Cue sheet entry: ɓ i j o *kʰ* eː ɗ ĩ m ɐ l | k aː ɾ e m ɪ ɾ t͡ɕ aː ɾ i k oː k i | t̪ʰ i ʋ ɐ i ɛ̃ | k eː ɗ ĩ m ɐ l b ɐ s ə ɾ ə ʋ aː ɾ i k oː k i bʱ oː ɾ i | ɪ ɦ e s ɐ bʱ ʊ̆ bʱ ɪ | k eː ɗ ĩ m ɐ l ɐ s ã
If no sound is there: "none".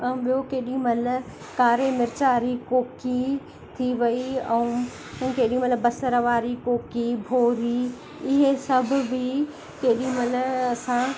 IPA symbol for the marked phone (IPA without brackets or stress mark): k